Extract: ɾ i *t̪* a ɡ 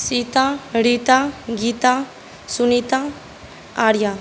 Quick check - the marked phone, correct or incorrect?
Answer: correct